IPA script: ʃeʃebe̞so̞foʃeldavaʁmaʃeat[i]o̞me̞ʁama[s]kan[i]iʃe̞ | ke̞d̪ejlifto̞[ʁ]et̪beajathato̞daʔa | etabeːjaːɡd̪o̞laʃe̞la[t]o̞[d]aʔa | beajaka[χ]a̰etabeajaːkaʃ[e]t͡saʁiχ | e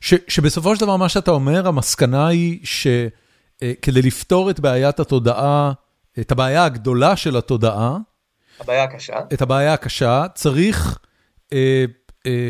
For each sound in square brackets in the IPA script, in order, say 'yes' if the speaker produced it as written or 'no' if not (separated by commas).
no, yes, no, yes, yes, yes, no, no